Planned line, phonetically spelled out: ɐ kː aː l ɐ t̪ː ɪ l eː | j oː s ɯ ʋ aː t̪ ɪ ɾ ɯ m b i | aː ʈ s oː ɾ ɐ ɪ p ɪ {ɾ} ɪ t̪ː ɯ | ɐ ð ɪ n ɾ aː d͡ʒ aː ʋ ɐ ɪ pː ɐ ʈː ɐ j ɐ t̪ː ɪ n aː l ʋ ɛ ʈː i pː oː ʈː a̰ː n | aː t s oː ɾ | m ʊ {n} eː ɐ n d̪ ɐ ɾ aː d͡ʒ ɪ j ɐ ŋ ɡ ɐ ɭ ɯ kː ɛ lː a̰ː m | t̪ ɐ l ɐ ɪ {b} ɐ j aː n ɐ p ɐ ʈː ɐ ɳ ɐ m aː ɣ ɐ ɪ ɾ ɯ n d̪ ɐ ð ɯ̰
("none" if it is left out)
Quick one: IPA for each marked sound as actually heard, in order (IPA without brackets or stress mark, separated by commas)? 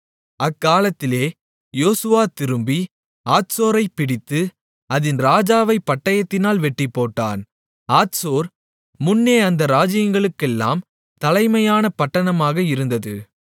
ɽ, nː, m